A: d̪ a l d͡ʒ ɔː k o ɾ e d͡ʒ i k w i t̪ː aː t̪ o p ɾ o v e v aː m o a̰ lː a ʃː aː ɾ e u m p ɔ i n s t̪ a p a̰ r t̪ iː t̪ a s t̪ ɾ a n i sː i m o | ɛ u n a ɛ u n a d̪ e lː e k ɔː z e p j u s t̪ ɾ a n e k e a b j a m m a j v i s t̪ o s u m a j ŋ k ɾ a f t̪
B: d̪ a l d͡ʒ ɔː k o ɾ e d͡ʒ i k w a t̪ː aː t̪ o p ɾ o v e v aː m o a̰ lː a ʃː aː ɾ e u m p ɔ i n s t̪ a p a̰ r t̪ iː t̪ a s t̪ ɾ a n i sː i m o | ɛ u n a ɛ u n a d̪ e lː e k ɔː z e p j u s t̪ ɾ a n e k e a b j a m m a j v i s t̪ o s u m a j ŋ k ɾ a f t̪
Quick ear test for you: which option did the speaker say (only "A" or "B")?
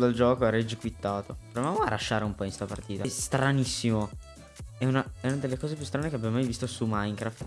A